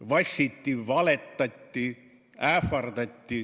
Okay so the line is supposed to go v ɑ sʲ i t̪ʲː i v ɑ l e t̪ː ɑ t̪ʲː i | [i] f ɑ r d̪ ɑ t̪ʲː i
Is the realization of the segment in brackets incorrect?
yes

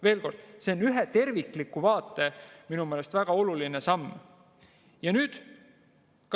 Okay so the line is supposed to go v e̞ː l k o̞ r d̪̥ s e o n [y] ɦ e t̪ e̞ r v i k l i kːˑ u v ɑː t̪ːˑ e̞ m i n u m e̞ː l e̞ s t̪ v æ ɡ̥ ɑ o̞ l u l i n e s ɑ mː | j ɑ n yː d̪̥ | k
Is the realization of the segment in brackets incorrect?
no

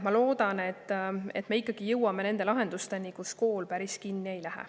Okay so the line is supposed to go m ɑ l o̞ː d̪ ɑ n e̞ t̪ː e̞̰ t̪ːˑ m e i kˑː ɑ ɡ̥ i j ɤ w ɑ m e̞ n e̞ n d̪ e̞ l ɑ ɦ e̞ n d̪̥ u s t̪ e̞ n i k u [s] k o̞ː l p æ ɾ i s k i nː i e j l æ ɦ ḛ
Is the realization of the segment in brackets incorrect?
no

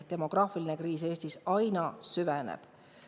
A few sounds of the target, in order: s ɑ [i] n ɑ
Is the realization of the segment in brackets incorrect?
yes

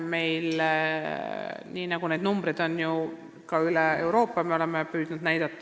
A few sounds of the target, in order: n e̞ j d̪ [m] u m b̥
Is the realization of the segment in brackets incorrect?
yes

